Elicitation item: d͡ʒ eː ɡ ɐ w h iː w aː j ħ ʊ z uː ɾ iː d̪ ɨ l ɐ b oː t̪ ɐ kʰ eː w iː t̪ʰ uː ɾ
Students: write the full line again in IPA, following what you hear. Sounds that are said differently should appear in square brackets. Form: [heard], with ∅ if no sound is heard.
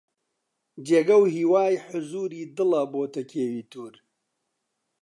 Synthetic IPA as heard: d͡ʒ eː ɡ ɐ w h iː w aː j ħ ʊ z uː ɾ iː d̪ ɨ l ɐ b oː t̪ ɐ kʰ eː w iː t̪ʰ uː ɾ

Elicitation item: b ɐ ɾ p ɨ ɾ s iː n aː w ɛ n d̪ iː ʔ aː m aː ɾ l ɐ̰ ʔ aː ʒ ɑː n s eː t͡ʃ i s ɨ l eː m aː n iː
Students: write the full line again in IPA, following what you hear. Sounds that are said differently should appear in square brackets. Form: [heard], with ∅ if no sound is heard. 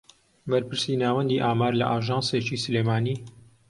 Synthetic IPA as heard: b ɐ ɾ p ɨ ɾ s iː n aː w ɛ n d̪ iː ʔ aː m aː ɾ l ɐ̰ ʔ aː ʒ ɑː n s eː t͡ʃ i s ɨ l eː m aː n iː

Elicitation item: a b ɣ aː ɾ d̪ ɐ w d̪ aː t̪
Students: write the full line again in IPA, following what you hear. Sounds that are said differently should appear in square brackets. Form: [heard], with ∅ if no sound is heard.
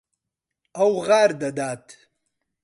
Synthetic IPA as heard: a [w] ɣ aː ɾ d̪ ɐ [∅] d̪ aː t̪

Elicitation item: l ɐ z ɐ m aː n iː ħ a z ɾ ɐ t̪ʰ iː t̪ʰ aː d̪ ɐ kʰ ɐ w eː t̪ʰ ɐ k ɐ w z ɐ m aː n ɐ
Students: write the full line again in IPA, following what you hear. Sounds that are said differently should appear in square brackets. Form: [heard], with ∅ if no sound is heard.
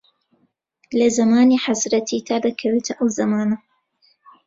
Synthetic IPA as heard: l ɐ z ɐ m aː n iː ħ a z ɾ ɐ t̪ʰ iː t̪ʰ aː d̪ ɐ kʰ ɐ w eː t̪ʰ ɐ [ʔ] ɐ w z ɐ m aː n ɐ

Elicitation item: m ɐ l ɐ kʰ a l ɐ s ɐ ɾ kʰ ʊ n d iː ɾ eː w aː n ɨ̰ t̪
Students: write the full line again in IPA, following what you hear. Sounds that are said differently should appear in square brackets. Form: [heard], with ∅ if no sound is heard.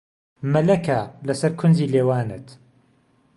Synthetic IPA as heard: m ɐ l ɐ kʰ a l ɐ s ɐ ɾ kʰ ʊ n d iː [l] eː w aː n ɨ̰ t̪

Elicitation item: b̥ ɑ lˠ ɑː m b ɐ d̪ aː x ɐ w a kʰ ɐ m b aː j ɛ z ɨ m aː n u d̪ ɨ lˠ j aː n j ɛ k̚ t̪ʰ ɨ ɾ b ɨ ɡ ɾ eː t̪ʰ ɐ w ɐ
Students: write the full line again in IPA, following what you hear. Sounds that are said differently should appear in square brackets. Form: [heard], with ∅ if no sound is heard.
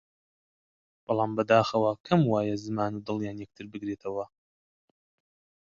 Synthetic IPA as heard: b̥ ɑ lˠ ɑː m b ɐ d̪ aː x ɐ w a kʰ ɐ m [w] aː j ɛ z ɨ m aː n u d̪ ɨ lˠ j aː n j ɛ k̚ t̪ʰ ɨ ɾ b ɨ ɡ ɾ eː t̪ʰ ɐ w ɐ

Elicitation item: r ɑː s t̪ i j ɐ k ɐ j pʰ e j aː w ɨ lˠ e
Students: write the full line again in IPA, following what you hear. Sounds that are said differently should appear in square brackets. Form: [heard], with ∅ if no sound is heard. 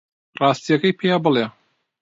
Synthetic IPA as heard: r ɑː s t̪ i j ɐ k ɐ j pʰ e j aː [b] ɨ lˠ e

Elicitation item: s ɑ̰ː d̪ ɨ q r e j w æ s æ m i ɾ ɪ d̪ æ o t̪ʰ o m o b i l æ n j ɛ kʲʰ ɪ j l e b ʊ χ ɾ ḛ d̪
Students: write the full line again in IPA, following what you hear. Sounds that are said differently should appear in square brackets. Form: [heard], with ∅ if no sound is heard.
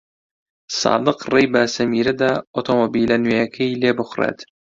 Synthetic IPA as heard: s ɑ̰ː d̪ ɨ q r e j [b] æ s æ m i ɾ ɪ d̪ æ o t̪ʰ o m o b i l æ n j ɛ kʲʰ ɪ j l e b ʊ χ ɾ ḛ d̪

